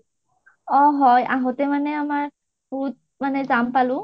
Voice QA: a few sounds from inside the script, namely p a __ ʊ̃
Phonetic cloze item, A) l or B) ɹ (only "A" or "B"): A